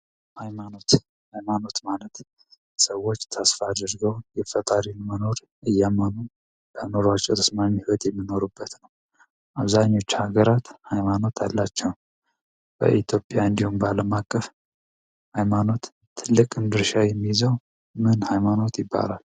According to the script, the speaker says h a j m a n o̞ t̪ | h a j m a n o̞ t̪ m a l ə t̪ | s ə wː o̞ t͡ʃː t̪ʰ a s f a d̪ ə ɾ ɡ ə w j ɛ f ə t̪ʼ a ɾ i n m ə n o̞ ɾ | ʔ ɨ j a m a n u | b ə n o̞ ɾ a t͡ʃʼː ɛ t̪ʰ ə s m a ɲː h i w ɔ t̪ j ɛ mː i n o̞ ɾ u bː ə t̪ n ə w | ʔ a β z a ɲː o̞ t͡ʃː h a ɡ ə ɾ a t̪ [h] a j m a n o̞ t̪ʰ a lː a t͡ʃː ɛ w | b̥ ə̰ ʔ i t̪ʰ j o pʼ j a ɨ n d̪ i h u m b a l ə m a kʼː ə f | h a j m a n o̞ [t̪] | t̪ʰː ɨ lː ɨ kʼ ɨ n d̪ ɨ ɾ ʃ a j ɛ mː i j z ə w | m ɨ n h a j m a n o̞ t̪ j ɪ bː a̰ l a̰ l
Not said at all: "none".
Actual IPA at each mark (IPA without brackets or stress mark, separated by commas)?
h, t̪